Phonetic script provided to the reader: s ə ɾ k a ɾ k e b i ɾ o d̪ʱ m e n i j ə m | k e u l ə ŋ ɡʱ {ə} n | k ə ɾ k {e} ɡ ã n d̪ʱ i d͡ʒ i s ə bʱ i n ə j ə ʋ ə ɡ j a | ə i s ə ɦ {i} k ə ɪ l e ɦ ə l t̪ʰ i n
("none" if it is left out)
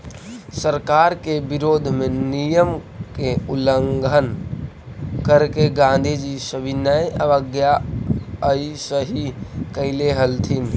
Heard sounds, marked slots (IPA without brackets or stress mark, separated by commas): ə, e, i